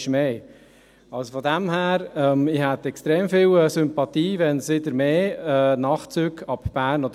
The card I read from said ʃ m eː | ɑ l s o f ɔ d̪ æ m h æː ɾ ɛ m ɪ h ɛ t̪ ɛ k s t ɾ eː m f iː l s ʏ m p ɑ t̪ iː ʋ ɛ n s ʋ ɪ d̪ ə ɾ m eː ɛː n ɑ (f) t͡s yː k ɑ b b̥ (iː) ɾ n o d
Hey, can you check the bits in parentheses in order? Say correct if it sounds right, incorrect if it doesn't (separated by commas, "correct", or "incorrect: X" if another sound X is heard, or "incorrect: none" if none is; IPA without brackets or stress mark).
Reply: incorrect: χ, incorrect: æː